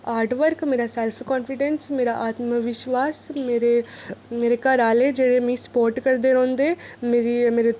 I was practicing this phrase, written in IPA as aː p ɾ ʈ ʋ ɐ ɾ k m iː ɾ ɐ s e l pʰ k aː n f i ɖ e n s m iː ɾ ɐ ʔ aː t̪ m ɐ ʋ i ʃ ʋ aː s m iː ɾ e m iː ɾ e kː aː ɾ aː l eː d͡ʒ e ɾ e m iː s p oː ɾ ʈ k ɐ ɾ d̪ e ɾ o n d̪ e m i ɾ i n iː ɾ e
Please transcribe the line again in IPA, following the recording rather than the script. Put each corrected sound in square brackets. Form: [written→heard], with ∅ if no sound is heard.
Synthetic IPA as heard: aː [p→∅] ɾ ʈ ʋ ɐ ɾ k m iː ɾ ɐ s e l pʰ k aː n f i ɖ e n s m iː ɾ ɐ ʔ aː t̪ m ɐ ʋ i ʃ ʋ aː s m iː ɾ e m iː ɾ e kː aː ɾ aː l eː d͡ʒ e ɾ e m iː s p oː ɾ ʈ k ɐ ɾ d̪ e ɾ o n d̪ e m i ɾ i [n→m] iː ɾ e